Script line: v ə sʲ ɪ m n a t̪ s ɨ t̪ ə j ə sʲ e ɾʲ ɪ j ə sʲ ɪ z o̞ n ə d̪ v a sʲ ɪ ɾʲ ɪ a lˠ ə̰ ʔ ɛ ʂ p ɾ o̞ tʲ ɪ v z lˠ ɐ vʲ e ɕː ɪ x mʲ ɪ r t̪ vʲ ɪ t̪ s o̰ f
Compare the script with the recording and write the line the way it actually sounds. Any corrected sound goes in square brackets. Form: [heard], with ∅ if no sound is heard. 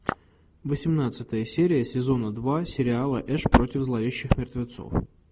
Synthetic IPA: v ə sʲ ɪ m n a t̪ s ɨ t̪ ə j ə sʲ e ɾʲ ɪ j ə sʲ ɪ z o̞ n ə d̪ v a sʲ ɪ ɾʲ ɪ a lˠ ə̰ ʔ ɛ ʂ p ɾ o̞ tʲ ɪ v z lˠ ɐ vʲ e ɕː ɪ x mʲ ɪ r t̪ vʲ ɪ t̪ s o̰ f